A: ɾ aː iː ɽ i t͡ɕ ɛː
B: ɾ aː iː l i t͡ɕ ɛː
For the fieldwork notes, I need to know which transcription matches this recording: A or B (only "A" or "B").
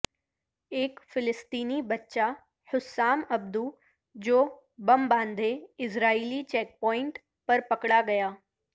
B